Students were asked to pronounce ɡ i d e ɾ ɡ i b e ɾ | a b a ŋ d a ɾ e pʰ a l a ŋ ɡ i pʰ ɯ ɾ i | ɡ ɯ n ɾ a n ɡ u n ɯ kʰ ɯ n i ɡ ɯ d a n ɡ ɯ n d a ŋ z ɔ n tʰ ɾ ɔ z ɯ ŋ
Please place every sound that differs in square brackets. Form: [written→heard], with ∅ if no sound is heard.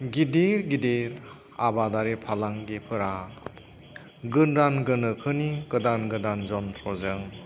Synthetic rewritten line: ɡ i d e ɾ ɡ i [b→d] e ɾ | a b a [ŋ→∅] d a ɾ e pʰ a l a ŋ ɡ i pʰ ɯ ɾ [i→a] | ɡ ɯ n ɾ a n ɡ [u→ɯ] n ɯ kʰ ɯ n i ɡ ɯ d a n ɡ ɯ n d a [ŋ→n] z ɔ n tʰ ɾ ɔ z ɯ ŋ